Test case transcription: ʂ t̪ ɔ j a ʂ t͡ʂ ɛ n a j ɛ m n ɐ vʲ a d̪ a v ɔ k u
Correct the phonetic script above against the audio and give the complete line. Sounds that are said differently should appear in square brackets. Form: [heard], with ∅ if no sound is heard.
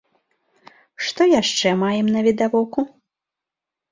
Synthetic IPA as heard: ʂ t̪ ɔ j a ʂ t͡ʂ ɛ [m] a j ɛ m n ɐ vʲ [i] d̪ a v ɔ k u